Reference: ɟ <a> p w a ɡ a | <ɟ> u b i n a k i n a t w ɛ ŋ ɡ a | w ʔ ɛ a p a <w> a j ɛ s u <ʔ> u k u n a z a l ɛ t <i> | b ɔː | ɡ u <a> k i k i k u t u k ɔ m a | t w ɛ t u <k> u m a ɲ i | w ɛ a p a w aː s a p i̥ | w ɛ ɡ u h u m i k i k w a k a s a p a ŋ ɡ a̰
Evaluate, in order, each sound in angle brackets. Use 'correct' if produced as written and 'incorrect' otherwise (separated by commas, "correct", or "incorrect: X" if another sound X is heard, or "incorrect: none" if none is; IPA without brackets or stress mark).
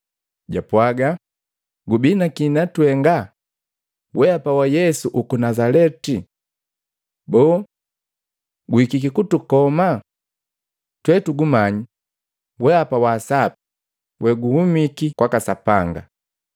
correct, incorrect: ɡ, correct, correct, correct, incorrect: i, incorrect: ɡ